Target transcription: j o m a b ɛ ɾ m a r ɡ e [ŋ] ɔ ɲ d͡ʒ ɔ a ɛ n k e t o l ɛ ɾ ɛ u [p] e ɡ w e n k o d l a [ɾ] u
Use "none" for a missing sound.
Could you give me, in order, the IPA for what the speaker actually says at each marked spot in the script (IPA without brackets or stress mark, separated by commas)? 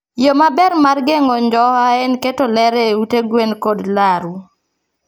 ŋ, t, ɾ